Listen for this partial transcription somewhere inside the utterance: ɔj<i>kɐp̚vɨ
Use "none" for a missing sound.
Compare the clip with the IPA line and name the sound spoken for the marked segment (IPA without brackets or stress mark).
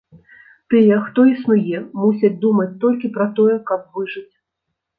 ɛ